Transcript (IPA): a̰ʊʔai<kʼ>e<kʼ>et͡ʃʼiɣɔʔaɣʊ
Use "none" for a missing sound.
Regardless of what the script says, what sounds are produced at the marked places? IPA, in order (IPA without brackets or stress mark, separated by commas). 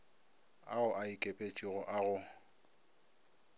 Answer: kʼ, pʼ